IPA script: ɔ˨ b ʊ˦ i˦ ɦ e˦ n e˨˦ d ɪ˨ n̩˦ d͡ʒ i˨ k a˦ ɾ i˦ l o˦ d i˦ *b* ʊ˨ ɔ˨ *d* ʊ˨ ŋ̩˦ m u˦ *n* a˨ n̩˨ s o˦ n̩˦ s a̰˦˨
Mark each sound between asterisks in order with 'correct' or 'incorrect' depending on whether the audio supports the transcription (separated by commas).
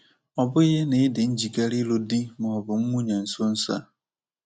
incorrect, incorrect, incorrect